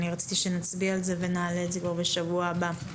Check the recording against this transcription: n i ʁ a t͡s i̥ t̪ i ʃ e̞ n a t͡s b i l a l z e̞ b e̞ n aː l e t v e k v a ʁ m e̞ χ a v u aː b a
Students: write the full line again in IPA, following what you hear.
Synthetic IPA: n i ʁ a t͡s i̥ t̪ i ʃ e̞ n a t͡s b i a l z e̞ v e̞ n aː l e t z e k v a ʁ b e̞ ʃ a v u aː b a